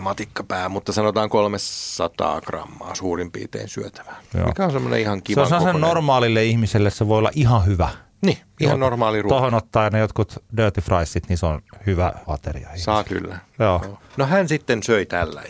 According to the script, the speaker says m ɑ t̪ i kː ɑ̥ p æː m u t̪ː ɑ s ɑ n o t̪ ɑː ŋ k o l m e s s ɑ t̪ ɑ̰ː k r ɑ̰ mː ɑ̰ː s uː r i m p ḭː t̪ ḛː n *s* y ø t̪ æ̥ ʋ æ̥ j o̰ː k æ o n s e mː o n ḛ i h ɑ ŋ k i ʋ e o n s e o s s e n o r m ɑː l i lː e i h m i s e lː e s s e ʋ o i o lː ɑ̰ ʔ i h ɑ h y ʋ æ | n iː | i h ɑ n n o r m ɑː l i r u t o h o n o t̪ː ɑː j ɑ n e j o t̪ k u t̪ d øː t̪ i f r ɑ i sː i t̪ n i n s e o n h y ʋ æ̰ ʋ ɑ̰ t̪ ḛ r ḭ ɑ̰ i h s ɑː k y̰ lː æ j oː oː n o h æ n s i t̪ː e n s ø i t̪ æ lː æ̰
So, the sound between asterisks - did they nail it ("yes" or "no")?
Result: yes